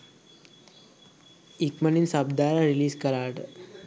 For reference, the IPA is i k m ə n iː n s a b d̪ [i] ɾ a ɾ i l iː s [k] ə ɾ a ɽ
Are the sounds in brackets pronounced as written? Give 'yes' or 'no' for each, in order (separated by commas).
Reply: no, yes